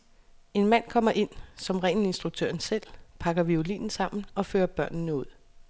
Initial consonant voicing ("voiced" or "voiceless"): voiced